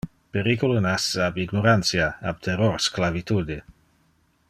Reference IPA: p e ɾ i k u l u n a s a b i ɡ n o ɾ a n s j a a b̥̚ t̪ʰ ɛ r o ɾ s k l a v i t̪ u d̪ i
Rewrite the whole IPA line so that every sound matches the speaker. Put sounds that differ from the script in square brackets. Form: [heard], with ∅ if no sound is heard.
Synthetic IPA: p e ɾ i k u l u n a s a b i ɡ n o ɾ a n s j a a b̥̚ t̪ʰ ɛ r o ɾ s k l a v i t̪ u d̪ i